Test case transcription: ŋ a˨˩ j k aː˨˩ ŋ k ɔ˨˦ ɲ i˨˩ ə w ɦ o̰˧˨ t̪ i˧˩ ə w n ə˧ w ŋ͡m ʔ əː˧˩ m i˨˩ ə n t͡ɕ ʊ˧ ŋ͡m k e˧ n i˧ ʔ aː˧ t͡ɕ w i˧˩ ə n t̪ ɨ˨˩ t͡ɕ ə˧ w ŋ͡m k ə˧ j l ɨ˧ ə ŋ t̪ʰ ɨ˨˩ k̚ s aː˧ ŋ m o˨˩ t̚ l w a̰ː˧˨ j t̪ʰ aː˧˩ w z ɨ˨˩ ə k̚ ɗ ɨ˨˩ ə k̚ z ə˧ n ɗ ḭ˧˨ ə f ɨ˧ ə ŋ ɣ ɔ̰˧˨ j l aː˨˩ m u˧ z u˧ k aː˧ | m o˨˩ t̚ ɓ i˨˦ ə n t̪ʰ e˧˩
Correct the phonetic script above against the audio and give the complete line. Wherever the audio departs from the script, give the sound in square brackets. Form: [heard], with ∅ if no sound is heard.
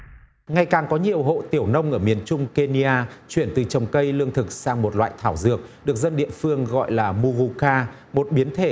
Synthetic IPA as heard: ŋ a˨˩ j k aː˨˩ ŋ k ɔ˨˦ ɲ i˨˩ ə w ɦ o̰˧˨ t̪ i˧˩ ə w n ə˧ w ŋ͡m ʔ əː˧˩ m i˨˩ ə n t͡ɕ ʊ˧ ŋ͡m k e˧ n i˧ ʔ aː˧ t͡ɕ w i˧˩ ə n t̪ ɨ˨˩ t͡ɕ [ə˨˩] w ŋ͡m k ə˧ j l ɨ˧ ə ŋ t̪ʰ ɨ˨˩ k̚ s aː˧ ŋ m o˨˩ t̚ l w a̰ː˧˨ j t̪ʰ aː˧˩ w z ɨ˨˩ ə k̚ ɗ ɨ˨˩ ə k̚ z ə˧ n ɗ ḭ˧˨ ə f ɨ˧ ə ŋ ɣ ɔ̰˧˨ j l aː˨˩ m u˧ [ɣ] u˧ k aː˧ | m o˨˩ t̚ ɓ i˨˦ ə n t̪ʰ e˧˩

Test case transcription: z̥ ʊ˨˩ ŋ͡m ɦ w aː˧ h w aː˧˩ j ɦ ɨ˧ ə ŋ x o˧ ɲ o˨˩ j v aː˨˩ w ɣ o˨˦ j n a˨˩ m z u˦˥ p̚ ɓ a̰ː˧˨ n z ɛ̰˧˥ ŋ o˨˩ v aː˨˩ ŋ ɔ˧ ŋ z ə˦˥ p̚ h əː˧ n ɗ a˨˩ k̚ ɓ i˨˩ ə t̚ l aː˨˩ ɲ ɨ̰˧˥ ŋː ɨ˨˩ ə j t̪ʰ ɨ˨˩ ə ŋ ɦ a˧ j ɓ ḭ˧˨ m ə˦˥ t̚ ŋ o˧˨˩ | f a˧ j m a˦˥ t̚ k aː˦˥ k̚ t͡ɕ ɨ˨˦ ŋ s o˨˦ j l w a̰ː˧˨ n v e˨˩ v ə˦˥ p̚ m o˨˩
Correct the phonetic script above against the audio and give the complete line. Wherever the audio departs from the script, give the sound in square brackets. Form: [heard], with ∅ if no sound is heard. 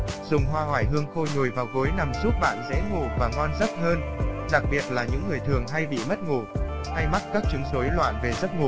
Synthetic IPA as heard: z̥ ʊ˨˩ ŋ͡m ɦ w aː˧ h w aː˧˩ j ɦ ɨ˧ ə ŋ x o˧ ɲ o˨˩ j v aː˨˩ w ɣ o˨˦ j n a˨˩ m z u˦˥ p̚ ɓ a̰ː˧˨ n z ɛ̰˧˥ ŋ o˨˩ v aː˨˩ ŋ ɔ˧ [n] z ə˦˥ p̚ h əː˧ n ɗ a˨˩ k̚ ɓ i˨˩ ə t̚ l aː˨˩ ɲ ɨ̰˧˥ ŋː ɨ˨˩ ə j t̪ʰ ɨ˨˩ ə ŋ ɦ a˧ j ɓ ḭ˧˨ m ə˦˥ t̚ ŋ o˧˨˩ | [h] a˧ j m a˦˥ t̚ k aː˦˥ k̚ t͡ɕ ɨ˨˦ ŋ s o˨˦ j l w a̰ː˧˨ n v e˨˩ [z] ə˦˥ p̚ [ŋ] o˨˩

